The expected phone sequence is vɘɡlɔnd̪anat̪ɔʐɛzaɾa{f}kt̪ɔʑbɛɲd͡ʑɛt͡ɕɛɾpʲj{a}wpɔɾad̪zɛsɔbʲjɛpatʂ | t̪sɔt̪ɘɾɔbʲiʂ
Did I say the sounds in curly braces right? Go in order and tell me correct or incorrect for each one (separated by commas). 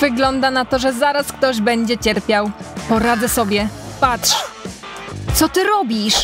incorrect, correct